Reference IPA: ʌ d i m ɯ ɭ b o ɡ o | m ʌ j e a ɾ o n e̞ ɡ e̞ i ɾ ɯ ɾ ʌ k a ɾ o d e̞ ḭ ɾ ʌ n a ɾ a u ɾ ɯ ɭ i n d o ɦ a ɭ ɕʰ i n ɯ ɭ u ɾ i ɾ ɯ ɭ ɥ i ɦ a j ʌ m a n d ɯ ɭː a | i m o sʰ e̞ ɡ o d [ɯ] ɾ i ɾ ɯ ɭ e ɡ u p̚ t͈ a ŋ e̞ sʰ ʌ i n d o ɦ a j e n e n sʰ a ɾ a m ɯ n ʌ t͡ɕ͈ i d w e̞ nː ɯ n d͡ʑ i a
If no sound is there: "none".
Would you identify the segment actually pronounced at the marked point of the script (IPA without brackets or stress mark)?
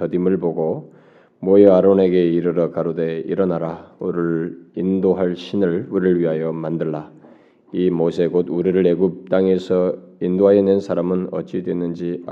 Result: u